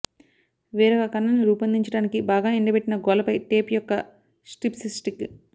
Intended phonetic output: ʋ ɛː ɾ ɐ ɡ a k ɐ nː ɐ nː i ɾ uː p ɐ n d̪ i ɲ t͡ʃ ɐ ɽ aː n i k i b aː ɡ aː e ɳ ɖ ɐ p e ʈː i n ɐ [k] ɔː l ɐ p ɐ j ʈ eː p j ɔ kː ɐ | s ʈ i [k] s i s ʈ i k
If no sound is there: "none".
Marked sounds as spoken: ɡ, p

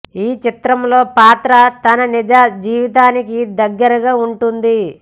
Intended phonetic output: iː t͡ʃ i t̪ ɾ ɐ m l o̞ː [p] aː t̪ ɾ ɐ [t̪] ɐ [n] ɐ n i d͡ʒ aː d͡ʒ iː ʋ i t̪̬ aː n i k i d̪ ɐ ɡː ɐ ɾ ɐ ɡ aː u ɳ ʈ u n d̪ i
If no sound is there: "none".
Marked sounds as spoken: p, t̪, n

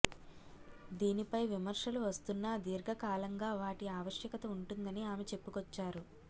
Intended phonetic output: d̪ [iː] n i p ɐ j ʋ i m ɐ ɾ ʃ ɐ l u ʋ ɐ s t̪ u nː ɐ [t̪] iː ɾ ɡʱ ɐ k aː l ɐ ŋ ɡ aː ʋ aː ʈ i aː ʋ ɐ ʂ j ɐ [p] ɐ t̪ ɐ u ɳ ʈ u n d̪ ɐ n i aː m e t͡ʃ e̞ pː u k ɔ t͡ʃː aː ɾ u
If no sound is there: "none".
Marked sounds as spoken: iː, d̪, k

